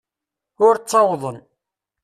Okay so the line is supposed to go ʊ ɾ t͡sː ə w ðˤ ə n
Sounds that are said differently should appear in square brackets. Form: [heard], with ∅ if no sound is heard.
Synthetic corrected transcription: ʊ ɾ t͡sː [ɑ] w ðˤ ə n